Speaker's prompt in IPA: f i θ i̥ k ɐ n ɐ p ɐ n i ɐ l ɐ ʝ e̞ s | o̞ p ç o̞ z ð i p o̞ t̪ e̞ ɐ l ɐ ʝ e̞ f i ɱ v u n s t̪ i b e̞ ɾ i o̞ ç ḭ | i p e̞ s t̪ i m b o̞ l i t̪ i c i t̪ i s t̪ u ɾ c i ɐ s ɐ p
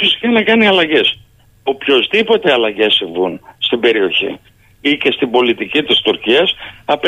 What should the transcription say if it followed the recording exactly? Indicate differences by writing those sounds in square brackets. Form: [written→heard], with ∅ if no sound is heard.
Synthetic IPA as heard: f i [θ→s] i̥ k ɐ n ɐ [p→k] ɐ n i ɐ l ɐ ʝ e̞ s | o̞ p ç o̞ z ð i p o̞ t̪ e̞ ɐ l ɐ ʝ e̞ [f→s] i ɱ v u n s t̪ i b e̞ ɾ i o̞ ç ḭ | i [p→c] e̞ s t̪ i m b o̞ l i t̪ i c i t̪ i s t̪ u ɾ c i ɐ s ɐ p